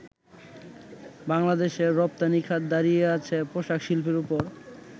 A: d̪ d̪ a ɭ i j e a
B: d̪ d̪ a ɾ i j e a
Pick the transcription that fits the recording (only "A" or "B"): B